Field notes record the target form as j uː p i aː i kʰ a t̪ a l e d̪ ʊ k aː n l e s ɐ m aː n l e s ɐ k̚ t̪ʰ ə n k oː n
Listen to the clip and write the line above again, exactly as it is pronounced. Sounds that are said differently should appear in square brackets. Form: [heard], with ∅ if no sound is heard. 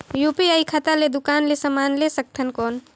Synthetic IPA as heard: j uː p i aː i kʰ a t̪ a l e d̪ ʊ k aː n l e s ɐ m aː n l e s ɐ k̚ t̪ʰ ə n k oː n